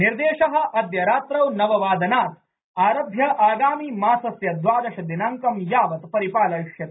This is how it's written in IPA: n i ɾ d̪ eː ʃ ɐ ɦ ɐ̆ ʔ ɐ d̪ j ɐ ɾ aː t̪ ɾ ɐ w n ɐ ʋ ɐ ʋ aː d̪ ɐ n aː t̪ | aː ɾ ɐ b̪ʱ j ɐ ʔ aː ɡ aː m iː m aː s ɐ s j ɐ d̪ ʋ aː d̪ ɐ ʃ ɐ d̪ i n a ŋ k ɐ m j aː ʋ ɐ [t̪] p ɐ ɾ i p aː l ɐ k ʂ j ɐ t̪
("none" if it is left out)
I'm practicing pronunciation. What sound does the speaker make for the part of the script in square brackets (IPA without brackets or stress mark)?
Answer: t̪